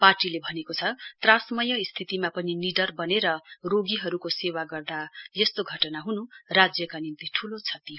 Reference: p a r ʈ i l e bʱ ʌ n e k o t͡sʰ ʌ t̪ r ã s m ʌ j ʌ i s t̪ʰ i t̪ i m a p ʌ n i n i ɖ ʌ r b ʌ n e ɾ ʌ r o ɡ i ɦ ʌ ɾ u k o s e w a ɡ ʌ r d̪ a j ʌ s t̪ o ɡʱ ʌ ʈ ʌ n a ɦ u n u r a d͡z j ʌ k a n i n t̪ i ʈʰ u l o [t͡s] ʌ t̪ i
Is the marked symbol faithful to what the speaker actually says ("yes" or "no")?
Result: no